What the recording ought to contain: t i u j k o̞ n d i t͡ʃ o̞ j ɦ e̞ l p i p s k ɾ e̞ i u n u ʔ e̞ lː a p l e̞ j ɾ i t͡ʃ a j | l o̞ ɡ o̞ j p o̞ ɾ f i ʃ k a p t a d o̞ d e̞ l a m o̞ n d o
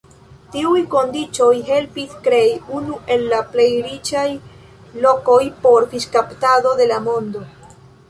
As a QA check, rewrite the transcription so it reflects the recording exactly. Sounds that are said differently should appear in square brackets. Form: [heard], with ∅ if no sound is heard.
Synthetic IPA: t i u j k o̞ n d i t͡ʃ o̞ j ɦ e̞ l p i [∅] s k ɾ e̞ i u n u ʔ e̞ lː a p l e̞ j ɾ i t͡ʃ a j | l o̞ [k] o̞ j p o̞ ɾ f i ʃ k a p t a d o̞ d e̞ l a m o̞ n d o